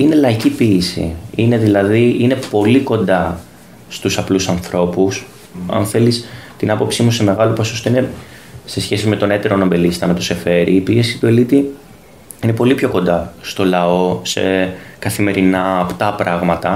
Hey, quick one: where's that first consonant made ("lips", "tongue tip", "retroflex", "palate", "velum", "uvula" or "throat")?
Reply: tongue tip